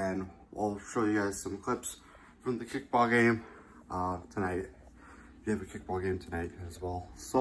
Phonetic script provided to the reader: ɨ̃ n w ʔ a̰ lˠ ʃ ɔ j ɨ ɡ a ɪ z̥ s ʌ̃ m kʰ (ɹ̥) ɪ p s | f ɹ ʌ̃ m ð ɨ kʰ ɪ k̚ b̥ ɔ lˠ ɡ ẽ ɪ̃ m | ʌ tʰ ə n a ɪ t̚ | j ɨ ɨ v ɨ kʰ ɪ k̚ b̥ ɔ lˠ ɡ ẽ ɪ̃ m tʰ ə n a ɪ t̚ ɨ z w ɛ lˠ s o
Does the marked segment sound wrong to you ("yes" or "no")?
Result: yes